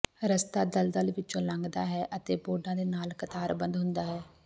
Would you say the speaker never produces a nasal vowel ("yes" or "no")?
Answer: no